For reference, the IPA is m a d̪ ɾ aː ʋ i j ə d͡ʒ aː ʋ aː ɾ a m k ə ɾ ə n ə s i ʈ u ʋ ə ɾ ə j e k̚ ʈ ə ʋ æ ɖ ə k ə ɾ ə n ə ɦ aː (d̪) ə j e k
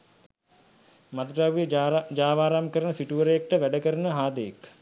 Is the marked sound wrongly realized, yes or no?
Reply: no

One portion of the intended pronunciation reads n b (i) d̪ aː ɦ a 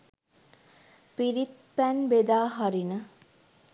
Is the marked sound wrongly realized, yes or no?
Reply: yes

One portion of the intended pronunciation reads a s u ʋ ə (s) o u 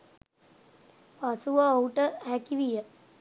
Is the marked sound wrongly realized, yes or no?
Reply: yes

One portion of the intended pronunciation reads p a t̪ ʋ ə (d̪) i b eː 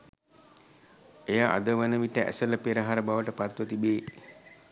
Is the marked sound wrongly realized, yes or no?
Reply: yes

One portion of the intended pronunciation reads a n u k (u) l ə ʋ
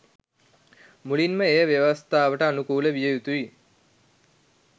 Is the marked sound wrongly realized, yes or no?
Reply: yes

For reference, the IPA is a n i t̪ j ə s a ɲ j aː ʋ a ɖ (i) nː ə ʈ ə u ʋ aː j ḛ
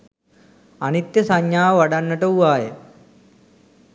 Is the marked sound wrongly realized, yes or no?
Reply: yes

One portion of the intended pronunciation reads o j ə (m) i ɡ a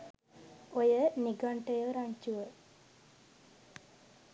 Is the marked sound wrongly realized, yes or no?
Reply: yes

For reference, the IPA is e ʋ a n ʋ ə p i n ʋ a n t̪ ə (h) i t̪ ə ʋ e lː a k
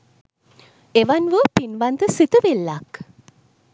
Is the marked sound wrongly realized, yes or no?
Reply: yes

